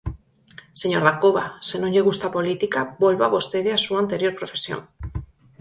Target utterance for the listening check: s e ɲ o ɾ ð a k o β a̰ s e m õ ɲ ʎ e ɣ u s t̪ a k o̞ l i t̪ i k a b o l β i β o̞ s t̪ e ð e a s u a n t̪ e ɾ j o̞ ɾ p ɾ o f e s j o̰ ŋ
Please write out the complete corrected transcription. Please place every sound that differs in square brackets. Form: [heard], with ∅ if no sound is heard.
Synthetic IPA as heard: s e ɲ o ɾ ð a k o β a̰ s e [n] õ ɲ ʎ e ɣ u s t̪ a [p] o̞ l i t̪ i k a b o l β [a] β o̞ s t̪ e ð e a s u a n t̪ e ɾ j o̞ ɾ p ɾ o f e s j o̰ ŋ